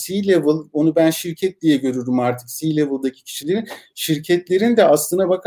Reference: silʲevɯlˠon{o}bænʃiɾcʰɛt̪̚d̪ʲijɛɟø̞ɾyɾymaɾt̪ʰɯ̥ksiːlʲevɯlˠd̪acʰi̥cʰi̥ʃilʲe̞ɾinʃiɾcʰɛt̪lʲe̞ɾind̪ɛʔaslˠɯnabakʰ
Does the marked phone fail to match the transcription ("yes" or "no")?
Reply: yes